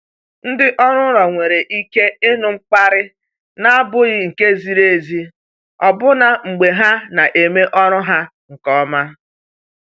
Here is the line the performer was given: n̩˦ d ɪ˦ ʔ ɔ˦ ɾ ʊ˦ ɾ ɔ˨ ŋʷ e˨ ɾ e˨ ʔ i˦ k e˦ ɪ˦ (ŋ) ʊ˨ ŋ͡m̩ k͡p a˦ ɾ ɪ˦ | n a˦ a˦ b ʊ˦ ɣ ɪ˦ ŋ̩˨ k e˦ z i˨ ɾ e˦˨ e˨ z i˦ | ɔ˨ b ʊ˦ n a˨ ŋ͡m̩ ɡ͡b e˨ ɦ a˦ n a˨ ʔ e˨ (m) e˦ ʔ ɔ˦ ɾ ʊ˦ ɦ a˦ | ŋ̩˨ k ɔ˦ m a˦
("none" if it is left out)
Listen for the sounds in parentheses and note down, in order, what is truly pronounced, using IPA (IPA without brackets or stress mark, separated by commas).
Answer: n, m